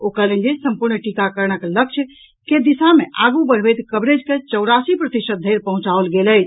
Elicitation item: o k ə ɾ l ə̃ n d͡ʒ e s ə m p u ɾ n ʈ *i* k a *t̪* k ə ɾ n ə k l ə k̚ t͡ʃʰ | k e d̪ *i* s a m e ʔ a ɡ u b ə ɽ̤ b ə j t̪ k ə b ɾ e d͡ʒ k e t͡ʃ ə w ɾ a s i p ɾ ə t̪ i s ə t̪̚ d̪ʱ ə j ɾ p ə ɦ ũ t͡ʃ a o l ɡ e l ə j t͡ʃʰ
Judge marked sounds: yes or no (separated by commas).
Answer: yes, no, yes